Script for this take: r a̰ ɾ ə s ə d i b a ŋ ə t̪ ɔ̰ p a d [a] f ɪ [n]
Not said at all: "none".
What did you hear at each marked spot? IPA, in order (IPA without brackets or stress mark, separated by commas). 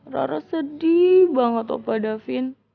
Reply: a, n